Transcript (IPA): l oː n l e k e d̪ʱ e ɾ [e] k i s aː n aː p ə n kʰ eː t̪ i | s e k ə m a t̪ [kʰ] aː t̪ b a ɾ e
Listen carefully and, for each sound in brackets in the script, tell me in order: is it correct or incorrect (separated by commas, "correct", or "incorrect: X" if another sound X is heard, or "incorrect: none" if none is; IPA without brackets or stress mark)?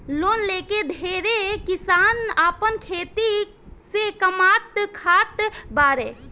correct, correct